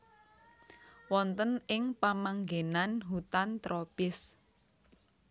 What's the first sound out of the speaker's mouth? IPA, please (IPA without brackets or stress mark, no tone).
w